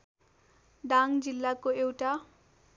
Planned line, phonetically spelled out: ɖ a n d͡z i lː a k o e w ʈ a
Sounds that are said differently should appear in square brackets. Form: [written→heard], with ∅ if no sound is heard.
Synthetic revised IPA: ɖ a [n→ŋ] d͡z i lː a k o e w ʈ a